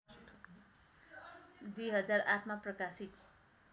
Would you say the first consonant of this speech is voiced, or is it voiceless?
voiced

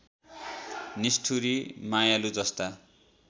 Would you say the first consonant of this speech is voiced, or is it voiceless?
voiced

